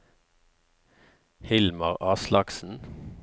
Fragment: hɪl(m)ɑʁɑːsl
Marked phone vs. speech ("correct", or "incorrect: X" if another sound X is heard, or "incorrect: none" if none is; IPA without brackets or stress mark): correct